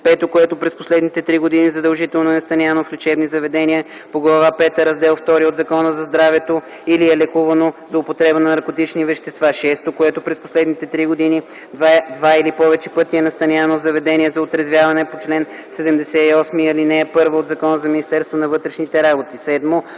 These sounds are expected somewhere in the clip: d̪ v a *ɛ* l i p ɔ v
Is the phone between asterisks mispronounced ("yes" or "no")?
yes